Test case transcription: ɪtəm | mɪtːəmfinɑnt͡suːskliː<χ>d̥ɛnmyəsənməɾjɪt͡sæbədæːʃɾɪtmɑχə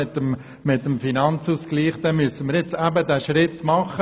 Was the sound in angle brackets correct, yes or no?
yes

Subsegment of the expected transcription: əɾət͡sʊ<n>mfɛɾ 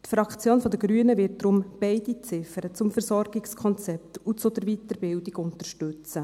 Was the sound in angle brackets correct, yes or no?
no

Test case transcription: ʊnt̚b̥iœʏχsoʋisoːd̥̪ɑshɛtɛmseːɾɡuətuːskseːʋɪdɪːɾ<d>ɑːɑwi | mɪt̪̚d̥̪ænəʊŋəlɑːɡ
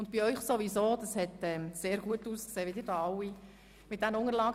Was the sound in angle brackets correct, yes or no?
yes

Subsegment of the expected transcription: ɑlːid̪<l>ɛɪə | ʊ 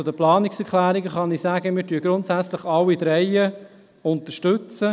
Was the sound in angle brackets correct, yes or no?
no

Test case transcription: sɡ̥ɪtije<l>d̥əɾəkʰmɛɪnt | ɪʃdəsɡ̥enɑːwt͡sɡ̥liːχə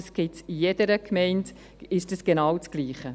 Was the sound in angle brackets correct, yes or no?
no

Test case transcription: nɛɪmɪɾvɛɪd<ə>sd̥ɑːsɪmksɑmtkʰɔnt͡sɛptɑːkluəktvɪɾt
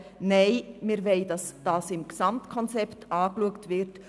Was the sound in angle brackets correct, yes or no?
no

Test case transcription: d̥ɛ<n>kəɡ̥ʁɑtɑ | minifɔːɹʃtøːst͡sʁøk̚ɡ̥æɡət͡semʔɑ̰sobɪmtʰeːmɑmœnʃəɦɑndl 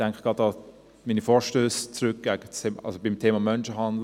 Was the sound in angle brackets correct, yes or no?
no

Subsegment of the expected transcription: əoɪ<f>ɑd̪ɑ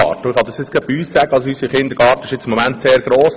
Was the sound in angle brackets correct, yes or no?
no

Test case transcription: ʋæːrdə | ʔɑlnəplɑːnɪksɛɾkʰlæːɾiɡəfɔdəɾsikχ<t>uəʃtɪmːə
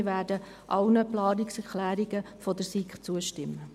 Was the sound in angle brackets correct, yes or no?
no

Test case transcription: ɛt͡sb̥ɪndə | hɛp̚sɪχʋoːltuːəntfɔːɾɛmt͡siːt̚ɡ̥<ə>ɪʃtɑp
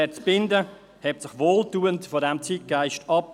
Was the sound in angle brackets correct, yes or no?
no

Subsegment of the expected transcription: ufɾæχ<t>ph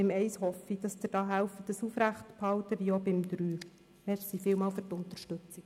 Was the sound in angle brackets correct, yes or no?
yes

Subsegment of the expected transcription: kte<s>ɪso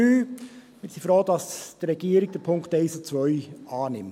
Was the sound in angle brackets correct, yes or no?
no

